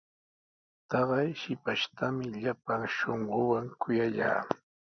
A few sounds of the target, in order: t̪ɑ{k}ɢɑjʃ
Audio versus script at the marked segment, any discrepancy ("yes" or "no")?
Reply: yes